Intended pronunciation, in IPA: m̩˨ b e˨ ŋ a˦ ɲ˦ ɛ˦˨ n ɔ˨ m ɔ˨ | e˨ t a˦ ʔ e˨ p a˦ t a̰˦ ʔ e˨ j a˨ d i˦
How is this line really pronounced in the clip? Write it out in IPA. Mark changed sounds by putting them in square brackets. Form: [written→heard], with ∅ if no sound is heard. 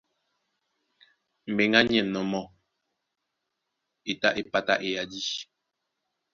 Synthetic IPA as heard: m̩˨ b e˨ ŋ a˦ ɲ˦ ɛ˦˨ n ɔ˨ m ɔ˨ | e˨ t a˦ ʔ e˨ p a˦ t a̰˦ ʔ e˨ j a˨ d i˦